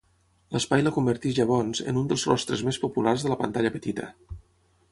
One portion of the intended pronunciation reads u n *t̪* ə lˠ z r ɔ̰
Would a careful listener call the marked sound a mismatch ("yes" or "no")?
yes